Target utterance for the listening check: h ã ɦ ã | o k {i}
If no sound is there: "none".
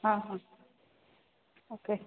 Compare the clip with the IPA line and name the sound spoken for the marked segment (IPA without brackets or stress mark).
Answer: e